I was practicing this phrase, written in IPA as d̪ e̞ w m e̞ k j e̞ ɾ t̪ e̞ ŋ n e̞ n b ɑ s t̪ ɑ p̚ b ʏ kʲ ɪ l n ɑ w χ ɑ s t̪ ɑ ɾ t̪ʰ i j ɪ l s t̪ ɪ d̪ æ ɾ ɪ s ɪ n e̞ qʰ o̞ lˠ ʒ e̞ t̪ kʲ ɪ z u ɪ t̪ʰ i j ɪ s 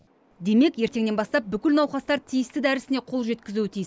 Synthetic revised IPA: d̪ e̞ m e̞ k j e̞ ɾ t̪ e̞ ŋ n e̞ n b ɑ s t̪ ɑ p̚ b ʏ kʲ ɪ l n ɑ w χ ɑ s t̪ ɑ ɾ t̪ʰ i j ɪ s t̪ ɪ d̪ æ ɾ ɪ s ɪ n e̞ qʰ o̞ lˠ ʒ e̞ t̪ kʲ ɪ z u ɪ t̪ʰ i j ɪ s